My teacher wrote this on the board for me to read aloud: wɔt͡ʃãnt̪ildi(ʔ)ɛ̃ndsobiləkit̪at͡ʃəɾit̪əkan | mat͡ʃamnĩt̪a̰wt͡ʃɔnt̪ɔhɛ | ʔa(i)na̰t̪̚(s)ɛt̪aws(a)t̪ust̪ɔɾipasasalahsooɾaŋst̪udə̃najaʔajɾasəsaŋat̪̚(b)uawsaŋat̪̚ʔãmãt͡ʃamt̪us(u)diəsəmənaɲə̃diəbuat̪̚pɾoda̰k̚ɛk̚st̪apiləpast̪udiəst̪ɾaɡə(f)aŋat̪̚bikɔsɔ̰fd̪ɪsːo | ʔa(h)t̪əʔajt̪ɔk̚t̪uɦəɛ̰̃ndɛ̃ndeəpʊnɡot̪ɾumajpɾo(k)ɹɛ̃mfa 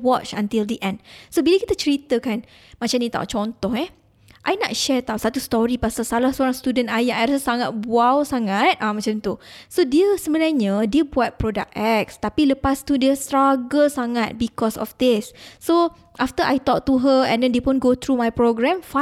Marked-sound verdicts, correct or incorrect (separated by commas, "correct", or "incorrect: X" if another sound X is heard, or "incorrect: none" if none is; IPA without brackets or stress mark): correct, incorrect: j, incorrect: ʃ, correct, correct, incorrect: o, incorrect: s, incorrect: f, incorrect: ɡ